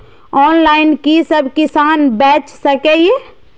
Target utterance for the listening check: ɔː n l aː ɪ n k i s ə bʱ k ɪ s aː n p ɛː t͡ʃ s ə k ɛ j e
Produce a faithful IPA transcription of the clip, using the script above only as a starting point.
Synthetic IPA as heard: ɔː n l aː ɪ n k i s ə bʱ k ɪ s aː n b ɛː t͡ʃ s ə k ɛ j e